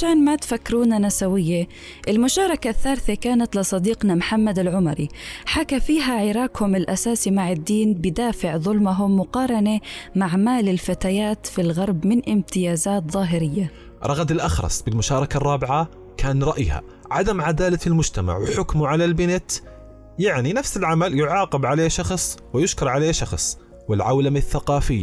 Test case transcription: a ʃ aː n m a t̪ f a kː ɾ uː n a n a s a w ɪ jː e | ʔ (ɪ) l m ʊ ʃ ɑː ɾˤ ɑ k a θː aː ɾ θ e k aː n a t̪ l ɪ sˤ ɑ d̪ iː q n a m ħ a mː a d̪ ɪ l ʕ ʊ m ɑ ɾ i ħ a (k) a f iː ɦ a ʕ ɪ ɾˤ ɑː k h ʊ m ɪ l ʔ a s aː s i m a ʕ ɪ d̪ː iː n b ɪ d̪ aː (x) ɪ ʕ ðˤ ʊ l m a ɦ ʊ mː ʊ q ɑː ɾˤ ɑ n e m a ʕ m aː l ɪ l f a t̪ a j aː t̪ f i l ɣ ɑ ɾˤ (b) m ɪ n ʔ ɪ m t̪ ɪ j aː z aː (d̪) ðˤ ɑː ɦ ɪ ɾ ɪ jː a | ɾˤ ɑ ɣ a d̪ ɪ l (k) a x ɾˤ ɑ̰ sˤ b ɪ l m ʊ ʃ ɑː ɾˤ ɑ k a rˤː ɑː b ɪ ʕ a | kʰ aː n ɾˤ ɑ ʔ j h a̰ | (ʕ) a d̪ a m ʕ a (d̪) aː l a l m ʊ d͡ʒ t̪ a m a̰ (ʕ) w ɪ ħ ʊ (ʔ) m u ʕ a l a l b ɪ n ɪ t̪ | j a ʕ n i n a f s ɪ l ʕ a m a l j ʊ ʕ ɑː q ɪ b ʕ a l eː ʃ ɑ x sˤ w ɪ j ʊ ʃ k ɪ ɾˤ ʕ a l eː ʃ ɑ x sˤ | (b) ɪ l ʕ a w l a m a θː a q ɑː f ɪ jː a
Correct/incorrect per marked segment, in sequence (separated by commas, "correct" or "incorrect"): correct, correct, incorrect, correct, incorrect, incorrect, correct, correct, correct, incorrect, incorrect